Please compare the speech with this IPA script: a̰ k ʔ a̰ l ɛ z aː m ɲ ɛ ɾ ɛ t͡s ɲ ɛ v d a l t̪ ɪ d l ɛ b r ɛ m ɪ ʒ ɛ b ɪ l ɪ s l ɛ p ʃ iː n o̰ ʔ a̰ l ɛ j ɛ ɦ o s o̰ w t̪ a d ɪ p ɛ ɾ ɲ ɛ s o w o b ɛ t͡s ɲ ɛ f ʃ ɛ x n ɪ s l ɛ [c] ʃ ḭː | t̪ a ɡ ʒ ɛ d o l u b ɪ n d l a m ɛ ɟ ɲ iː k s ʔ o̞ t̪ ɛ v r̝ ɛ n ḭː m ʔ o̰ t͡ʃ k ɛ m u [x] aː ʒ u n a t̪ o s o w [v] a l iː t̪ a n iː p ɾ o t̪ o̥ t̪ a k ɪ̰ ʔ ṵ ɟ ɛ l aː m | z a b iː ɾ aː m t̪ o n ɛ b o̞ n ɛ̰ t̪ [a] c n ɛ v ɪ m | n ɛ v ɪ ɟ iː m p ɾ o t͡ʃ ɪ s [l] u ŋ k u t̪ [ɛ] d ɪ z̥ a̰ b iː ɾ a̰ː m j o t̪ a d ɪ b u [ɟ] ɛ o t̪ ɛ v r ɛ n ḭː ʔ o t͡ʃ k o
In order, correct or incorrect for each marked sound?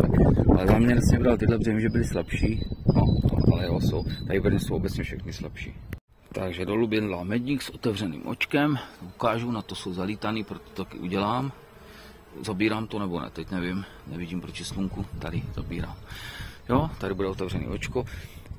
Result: incorrect, incorrect, incorrect, incorrect, correct, incorrect, incorrect

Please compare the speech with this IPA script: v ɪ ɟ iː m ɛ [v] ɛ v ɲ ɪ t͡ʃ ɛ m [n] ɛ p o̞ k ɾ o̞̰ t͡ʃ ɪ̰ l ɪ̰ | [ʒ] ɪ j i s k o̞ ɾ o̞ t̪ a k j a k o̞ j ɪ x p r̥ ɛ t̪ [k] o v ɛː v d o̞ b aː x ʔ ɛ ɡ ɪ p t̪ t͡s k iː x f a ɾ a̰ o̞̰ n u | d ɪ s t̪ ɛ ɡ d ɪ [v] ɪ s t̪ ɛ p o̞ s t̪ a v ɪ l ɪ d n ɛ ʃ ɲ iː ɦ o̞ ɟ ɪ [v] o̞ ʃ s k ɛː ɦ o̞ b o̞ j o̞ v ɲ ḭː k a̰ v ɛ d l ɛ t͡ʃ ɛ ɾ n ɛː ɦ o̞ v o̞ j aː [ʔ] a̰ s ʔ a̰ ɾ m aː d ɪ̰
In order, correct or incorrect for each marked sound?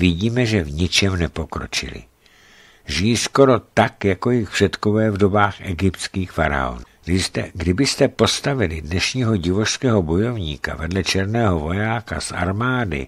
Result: incorrect, correct, correct, correct, incorrect, correct, incorrect

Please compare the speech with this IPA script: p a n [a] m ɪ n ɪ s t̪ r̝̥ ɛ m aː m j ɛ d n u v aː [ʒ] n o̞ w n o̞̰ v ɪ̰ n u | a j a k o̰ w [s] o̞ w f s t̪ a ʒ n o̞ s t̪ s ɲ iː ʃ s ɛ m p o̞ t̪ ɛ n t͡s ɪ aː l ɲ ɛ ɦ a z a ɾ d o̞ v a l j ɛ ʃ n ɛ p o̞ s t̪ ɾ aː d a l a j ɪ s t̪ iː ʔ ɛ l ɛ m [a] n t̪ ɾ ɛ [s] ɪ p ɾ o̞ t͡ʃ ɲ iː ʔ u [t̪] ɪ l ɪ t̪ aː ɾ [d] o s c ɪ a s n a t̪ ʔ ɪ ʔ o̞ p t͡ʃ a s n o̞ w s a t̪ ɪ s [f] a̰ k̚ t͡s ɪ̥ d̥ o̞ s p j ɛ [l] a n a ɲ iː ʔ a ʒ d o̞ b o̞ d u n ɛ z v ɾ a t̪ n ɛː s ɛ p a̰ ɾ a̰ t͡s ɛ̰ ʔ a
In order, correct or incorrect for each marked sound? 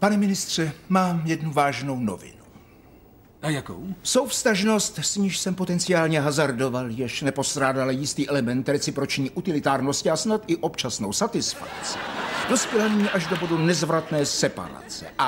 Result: incorrect, correct, correct, incorrect, incorrect, correct, incorrect, correct, correct

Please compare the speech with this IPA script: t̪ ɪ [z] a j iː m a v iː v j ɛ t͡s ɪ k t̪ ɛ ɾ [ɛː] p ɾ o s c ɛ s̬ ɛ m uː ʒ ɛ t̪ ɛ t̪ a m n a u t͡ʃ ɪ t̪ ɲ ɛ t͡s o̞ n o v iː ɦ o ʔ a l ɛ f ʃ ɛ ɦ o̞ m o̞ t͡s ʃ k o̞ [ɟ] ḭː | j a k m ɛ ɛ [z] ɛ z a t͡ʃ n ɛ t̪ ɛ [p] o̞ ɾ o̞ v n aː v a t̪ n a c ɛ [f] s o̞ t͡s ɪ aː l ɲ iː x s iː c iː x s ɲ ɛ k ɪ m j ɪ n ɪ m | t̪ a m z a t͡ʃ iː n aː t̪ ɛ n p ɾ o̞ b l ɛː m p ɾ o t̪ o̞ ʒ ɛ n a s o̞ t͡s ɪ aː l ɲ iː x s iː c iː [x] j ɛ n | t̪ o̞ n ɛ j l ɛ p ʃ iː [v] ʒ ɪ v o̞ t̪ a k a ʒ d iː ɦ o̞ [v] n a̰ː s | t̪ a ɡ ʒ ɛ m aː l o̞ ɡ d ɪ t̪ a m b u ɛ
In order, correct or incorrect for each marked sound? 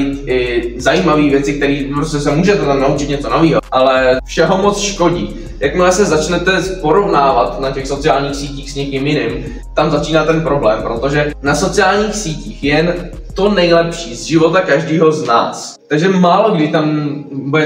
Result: correct, incorrect, correct, incorrect, correct, incorrect, correct, incorrect, incorrect

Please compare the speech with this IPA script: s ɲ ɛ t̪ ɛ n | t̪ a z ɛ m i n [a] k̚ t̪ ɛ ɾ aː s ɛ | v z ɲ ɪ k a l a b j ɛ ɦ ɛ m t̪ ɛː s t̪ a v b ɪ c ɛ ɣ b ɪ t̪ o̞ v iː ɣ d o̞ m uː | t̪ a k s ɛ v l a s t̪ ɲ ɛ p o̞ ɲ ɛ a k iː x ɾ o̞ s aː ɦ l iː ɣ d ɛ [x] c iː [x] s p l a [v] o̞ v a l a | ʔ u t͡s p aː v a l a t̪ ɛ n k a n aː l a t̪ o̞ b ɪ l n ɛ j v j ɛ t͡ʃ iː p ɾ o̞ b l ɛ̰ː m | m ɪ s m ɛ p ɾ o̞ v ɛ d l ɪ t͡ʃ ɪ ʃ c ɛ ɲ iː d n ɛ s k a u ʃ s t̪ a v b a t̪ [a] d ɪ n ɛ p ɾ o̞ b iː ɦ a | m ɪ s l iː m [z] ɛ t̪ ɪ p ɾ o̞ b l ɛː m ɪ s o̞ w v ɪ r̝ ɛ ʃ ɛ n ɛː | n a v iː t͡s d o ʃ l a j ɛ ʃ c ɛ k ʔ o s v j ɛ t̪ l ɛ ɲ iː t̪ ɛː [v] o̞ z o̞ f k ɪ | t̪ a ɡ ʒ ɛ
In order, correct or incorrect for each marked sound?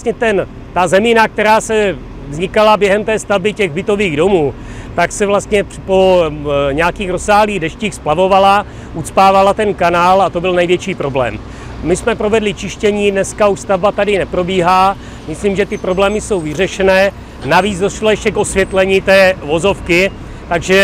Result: correct, incorrect, correct, correct, correct, incorrect, correct

